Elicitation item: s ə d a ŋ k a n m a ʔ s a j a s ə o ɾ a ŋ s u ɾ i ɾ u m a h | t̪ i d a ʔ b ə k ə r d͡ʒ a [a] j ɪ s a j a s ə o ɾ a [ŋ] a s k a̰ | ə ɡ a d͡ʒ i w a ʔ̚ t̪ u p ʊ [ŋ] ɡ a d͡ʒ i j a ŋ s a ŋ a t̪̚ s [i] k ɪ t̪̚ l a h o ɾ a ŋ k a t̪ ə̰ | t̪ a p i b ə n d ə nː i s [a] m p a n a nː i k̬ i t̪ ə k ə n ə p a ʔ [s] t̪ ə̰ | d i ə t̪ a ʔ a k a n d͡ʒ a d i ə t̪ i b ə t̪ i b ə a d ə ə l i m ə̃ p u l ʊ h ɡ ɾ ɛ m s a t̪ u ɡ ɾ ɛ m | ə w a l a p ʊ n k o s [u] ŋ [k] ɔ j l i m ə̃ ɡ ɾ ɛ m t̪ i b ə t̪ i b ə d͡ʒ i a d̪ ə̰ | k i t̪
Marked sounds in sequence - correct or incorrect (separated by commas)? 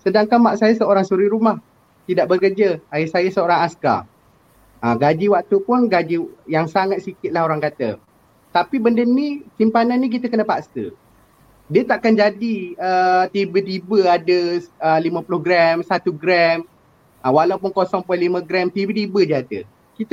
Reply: correct, correct, incorrect, correct, incorrect, correct, incorrect, incorrect